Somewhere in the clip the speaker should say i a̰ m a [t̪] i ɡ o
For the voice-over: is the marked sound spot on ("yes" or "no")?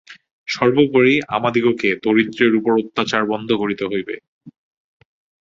no